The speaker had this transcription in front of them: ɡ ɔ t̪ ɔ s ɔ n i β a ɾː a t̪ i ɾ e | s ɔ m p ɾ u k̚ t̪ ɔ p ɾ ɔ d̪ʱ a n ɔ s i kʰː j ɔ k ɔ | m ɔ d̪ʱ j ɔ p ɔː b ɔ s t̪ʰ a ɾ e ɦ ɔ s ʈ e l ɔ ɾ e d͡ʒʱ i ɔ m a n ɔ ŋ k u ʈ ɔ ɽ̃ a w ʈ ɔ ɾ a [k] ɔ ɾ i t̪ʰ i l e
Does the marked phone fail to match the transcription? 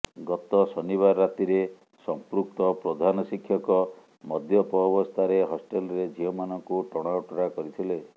no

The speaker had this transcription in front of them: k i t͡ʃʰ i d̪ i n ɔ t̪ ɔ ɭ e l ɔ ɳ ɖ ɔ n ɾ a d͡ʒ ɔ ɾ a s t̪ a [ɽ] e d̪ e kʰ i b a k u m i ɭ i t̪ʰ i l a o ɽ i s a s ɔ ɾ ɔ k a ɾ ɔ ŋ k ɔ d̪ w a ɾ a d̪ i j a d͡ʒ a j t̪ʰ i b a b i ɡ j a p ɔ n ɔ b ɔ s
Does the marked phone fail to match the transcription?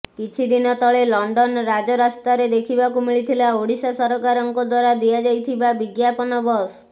yes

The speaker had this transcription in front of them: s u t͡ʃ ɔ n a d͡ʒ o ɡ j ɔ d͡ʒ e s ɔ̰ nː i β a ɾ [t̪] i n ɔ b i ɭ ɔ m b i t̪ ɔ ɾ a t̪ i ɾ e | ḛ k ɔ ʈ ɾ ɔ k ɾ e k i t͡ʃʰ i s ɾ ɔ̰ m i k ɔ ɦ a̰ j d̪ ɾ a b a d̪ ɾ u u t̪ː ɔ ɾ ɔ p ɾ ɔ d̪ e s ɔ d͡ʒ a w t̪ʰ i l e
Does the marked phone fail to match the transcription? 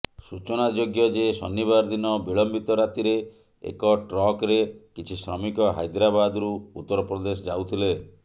yes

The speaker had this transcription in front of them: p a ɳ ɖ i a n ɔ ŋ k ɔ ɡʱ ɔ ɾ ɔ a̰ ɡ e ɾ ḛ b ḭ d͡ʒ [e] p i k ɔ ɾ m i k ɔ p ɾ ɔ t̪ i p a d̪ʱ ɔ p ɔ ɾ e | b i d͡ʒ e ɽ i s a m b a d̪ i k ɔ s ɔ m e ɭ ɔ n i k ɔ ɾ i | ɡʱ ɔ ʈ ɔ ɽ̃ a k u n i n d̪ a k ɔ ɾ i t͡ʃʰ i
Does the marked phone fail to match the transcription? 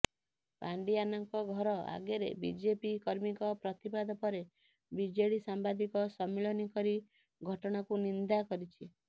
no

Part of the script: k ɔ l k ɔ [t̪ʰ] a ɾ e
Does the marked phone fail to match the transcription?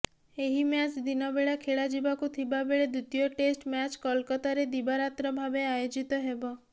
yes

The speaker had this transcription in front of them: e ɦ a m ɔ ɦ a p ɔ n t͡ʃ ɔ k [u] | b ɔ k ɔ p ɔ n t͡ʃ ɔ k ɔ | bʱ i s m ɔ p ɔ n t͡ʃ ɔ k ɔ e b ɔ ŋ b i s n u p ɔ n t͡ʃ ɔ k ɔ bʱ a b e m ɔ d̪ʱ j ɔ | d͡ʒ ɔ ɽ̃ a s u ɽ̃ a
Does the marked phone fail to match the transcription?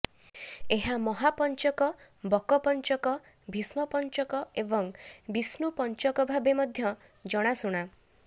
yes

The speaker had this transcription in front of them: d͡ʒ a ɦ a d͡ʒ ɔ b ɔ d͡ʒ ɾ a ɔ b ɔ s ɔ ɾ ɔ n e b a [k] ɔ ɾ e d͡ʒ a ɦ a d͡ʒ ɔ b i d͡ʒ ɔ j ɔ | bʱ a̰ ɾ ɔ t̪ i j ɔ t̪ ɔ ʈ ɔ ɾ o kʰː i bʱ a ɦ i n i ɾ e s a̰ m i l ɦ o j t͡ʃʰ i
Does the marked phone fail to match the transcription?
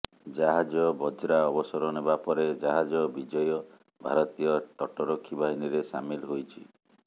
yes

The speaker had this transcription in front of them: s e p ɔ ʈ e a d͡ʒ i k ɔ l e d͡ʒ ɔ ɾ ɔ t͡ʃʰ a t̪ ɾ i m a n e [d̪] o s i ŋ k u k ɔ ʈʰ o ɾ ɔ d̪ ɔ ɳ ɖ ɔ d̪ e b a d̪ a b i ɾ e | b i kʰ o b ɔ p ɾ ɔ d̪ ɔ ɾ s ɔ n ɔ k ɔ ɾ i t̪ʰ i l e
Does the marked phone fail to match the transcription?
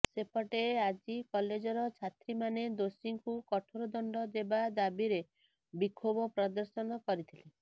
no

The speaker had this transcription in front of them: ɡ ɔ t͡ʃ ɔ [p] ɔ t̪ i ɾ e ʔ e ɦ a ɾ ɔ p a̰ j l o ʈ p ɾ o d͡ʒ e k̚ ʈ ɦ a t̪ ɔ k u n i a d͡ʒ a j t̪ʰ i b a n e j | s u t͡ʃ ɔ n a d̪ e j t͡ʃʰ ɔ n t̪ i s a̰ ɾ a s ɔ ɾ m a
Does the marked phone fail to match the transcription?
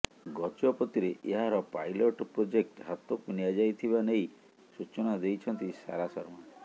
no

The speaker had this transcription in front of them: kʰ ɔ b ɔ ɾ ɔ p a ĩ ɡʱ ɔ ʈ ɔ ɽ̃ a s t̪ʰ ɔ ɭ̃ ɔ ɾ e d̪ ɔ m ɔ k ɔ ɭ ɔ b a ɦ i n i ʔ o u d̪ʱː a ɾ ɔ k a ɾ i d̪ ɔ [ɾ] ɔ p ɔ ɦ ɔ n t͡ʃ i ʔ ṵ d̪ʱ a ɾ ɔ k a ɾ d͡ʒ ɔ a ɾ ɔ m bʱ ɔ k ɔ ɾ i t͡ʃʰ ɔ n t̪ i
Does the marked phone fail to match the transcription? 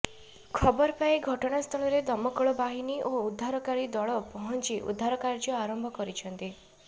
yes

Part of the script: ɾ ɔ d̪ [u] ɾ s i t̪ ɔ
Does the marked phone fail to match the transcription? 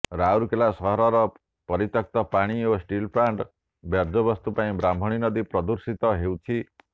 no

